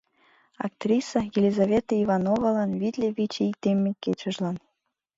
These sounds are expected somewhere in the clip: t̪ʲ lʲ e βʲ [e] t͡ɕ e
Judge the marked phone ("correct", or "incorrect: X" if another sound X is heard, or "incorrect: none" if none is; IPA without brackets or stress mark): incorrect: i